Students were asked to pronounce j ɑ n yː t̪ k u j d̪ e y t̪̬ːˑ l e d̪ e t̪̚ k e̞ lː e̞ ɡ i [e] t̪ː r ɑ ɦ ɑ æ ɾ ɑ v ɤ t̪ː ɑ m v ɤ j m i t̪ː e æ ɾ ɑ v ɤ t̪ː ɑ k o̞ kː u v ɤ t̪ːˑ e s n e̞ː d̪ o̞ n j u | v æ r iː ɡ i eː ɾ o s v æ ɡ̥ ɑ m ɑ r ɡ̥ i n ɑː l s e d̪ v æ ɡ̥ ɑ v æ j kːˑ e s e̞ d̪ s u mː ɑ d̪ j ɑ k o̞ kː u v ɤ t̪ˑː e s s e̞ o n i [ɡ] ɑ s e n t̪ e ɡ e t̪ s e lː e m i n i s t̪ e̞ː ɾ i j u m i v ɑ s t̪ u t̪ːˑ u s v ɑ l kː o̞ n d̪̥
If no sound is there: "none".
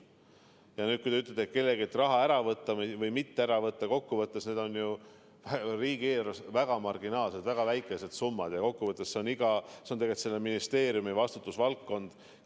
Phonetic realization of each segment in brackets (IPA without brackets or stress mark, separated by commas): e, ɡ